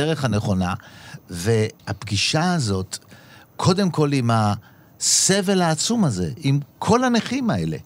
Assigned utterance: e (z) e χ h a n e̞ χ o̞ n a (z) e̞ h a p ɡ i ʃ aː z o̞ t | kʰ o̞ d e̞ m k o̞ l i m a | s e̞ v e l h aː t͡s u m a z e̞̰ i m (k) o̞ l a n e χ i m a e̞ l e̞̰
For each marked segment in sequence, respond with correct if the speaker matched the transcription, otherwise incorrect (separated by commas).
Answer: incorrect, incorrect, incorrect